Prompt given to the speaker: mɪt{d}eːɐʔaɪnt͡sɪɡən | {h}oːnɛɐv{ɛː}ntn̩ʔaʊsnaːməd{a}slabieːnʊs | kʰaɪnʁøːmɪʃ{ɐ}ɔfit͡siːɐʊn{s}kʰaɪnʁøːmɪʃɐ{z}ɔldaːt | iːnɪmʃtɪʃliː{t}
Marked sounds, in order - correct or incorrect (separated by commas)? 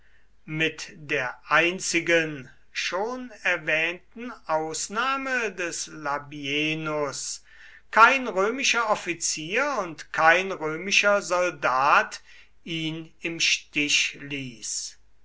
correct, incorrect, correct, incorrect, correct, incorrect, correct, incorrect